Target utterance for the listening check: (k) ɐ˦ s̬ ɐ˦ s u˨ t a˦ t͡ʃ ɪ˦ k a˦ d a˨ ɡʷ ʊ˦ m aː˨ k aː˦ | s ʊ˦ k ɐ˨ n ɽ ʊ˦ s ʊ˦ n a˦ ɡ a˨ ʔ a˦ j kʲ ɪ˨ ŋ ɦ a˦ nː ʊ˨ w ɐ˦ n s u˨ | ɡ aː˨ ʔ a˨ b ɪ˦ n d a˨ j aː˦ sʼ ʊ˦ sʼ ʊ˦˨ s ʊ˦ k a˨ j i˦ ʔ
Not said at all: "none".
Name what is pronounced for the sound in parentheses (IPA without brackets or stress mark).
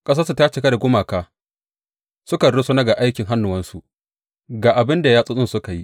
kʼ